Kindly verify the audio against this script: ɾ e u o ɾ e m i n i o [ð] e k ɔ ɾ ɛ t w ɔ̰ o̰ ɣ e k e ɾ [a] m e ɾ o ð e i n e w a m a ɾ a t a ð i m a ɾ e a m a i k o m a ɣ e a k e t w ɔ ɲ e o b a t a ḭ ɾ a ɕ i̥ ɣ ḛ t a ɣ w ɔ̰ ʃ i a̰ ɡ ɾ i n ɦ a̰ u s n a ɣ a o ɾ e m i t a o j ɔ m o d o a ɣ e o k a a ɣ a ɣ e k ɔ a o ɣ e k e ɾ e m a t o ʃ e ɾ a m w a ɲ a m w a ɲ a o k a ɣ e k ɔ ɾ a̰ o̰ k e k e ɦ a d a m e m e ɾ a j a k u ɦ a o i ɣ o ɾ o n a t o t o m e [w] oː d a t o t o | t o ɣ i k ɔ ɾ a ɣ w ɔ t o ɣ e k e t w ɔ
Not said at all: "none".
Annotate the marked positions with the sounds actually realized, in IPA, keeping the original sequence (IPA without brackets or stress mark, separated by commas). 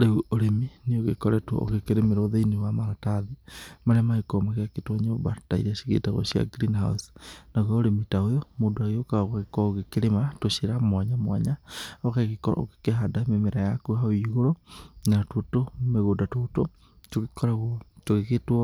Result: ɣ, e, ɣ